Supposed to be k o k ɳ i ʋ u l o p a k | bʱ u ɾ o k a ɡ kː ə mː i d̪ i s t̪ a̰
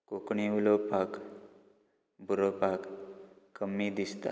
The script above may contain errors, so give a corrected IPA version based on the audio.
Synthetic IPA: k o k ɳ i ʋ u l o p a k | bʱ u ɾ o p a k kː ə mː i d̪ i s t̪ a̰